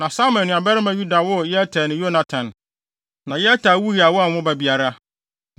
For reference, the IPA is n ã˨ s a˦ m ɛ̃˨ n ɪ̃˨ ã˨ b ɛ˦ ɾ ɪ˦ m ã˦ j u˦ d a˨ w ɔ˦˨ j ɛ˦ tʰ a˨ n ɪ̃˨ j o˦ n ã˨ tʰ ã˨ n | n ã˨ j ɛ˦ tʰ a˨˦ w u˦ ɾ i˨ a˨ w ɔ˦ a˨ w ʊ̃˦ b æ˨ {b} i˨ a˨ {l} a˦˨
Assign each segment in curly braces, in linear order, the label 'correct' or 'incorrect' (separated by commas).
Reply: correct, incorrect